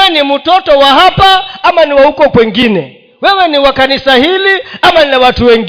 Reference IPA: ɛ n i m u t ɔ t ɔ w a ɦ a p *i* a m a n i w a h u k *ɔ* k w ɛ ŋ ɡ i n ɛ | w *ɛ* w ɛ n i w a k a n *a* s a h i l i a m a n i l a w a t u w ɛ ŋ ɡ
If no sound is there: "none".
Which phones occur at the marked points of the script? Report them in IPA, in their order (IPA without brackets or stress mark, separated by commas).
a, ɔ, ɛ, i